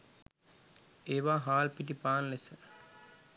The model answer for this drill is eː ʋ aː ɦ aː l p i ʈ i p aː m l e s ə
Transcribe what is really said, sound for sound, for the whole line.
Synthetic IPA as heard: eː ʋ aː ɦ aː l p i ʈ i p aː n l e s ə